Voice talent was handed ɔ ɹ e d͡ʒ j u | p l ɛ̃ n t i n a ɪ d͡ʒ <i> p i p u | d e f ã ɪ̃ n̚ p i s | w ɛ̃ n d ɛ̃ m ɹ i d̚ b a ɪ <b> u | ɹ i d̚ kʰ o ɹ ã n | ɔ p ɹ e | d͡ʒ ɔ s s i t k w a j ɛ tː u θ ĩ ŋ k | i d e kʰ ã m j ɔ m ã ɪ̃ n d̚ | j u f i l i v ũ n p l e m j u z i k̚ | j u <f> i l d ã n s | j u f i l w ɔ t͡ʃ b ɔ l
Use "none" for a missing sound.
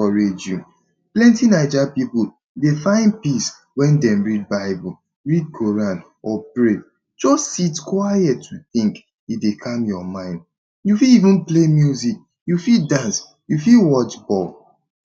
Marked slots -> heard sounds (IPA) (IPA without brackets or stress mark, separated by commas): a, b, f